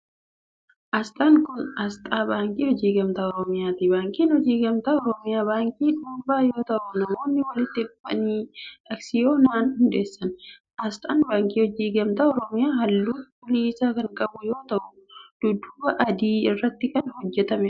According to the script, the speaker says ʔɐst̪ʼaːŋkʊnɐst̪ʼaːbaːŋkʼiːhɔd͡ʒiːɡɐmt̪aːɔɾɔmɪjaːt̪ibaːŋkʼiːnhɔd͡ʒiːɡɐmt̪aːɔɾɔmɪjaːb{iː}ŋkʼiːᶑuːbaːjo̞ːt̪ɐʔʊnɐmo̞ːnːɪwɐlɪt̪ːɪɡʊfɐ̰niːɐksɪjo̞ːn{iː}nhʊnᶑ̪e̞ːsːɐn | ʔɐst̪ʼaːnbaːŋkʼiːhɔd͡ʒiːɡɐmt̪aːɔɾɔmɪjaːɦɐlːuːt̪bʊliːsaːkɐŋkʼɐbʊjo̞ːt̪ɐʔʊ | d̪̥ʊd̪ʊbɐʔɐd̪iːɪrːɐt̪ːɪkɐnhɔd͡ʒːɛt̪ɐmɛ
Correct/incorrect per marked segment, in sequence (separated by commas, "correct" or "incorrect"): incorrect, incorrect